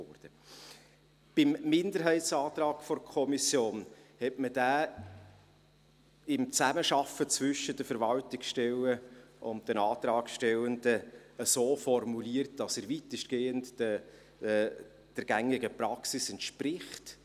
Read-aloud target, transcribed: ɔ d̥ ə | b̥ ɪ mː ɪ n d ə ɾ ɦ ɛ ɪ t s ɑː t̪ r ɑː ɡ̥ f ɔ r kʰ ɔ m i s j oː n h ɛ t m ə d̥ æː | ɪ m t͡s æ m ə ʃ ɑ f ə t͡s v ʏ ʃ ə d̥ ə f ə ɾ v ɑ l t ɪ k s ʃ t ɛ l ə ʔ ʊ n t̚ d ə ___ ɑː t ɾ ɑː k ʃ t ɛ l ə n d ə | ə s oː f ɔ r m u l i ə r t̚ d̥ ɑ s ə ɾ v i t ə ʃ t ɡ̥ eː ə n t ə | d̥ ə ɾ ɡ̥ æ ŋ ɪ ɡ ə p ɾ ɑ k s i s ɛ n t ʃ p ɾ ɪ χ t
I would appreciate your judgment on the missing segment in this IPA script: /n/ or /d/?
n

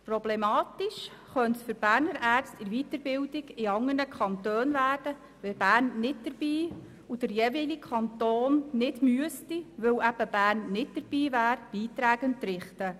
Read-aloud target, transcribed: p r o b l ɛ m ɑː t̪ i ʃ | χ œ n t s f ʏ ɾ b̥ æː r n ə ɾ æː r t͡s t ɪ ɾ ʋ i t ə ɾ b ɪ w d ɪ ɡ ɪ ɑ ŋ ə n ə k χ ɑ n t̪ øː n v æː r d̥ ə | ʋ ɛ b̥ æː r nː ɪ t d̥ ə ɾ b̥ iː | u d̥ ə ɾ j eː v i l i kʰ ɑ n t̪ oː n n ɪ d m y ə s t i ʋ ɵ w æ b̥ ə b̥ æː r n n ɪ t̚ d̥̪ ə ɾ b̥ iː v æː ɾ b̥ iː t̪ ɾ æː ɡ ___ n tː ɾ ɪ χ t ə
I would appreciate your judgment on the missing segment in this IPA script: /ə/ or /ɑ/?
ə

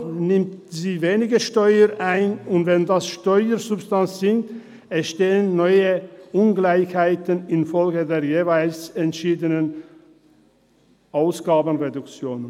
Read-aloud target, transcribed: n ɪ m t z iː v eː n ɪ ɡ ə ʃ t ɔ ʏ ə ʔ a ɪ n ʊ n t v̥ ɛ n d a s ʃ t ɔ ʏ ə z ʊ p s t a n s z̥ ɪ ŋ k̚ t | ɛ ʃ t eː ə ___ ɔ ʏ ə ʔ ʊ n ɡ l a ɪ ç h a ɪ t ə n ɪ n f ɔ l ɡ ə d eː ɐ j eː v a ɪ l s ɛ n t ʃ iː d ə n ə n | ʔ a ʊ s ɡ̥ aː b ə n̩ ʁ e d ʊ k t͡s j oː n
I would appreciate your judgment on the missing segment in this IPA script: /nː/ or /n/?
nː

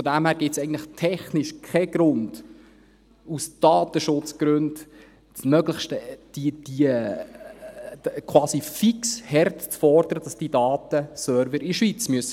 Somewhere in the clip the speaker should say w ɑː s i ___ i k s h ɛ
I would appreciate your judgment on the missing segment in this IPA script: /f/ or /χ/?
f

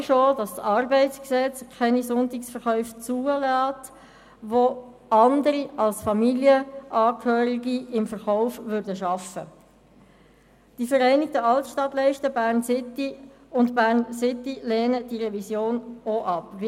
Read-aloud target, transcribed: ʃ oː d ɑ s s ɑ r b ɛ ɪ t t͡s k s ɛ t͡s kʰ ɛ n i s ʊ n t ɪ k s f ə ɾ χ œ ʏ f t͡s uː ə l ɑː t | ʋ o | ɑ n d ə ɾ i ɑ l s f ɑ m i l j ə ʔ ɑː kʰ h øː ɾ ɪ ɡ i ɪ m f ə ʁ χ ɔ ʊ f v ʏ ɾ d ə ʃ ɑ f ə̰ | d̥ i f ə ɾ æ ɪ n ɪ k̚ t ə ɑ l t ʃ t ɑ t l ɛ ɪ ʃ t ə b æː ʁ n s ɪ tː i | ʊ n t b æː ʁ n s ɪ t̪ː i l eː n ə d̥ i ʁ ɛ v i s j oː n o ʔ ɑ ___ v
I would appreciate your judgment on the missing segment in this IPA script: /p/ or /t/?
p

